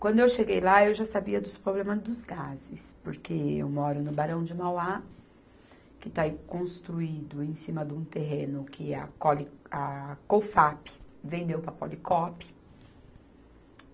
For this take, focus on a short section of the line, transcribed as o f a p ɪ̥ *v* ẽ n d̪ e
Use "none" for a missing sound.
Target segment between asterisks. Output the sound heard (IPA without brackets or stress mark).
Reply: v